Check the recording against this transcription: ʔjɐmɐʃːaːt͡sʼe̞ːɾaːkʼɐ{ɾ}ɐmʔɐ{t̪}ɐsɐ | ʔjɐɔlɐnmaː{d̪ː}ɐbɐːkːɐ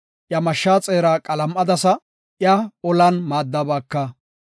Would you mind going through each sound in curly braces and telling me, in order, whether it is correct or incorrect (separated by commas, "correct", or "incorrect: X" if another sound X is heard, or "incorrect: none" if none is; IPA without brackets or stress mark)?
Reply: incorrect: l, incorrect: d̪, correct